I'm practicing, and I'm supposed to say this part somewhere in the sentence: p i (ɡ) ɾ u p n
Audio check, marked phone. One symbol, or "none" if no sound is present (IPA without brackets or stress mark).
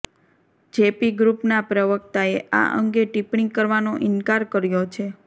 ɡ